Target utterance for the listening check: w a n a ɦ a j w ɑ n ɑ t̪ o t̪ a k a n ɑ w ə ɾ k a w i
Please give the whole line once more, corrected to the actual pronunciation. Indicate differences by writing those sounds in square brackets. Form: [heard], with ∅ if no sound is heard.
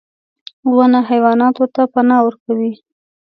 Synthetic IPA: w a n a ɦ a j w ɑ n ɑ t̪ o t̪ a [p] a n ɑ w ə ɾ k a w i

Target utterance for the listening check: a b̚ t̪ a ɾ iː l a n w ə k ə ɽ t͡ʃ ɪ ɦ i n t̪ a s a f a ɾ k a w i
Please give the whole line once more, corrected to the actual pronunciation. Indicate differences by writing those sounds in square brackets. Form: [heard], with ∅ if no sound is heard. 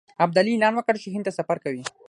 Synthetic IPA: a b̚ [d̪] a [l] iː l [ɑ] n w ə k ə ɽ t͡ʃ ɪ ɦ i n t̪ a s a f a ɾ k a w i

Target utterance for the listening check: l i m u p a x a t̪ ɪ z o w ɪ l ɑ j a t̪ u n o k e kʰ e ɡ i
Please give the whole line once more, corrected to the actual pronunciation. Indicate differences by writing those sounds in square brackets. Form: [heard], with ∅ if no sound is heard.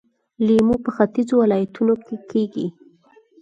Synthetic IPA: l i m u p [ə] x a t̪ [i] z o w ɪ l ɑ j a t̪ u n o k e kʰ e ɡ i

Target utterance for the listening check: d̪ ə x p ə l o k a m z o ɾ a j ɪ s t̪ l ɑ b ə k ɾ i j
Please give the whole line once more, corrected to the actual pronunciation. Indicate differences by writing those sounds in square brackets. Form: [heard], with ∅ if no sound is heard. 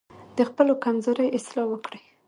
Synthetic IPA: d̪ ə x p ə l o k a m z o ɾ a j ɪ s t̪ l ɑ [w] ə k [ɽ] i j

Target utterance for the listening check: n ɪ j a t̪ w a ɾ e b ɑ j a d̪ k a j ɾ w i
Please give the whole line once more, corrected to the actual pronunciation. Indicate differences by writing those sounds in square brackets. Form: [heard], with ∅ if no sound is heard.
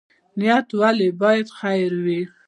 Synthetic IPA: n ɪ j a t̪ w a [l] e b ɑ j a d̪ [x] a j ɾ w i

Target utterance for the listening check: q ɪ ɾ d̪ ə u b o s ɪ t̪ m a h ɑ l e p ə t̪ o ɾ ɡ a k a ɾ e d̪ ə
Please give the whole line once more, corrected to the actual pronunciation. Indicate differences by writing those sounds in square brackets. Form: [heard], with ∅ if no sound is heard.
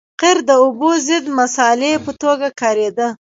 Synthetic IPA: q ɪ ɾ d̪ ə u b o [z] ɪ [d̪] m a [s] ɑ l e p ə t̪ o [∅] ɡ a k [ɑ] ɾ e d̪ ə

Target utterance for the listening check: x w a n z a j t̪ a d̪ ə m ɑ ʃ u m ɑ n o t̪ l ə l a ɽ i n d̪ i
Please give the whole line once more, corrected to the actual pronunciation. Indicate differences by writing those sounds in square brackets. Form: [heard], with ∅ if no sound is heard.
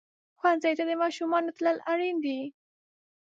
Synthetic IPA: x w a n z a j t̪ a d̪ ə m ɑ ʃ u m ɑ n o t̪ l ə l a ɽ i n d̪ i

